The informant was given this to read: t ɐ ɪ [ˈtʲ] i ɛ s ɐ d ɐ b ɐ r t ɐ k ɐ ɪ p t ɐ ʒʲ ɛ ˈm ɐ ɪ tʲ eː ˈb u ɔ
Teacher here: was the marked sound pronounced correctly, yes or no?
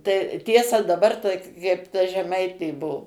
yes